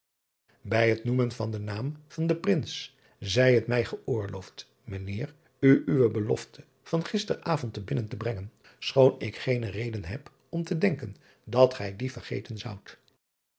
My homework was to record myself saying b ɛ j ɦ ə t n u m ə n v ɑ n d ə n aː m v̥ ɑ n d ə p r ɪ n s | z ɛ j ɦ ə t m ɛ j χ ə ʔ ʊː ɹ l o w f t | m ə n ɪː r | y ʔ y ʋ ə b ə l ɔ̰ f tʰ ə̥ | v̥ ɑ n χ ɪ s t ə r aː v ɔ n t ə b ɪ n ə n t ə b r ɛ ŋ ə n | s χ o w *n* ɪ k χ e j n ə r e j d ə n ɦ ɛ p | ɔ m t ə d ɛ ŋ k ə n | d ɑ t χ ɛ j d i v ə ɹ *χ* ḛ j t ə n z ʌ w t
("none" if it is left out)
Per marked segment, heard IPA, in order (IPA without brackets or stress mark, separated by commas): n, χ